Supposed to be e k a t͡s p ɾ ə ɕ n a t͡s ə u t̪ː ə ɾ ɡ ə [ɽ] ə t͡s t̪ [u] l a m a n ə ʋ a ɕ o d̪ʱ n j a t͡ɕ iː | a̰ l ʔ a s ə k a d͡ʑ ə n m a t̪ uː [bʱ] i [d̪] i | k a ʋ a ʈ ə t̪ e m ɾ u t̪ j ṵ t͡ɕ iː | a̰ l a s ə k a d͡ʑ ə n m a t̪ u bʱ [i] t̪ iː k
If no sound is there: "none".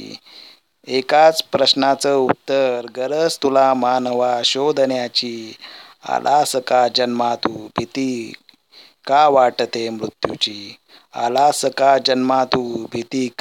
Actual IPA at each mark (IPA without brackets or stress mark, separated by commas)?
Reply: ɾ, u, bʱ, t̪, i